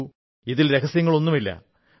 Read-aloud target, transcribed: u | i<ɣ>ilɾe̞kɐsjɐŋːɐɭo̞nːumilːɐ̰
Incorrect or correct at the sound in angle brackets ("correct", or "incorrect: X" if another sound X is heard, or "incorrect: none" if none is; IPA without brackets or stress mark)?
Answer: incorrect: ð